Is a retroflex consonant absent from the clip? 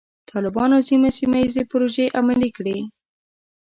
no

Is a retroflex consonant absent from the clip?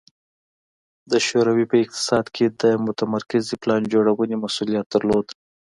no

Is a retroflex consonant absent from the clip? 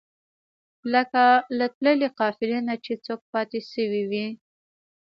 yes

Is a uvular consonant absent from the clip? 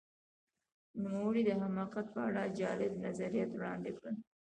no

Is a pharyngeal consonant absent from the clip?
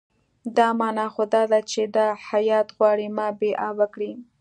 yes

